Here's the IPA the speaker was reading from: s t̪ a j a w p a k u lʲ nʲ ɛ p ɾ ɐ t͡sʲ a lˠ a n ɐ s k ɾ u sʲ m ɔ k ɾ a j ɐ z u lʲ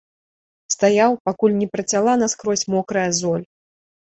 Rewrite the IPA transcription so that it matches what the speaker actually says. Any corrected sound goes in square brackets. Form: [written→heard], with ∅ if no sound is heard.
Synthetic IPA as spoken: s t̪ a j a w p a k u lʲ nʲ ɛ p ɾ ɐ t͡sʲ a lˠ a n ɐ s k ɾ [u→ɔ] sʲ m ɔ k ɾ [a→ɐ] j ɐ z [u→ɔ] lʲ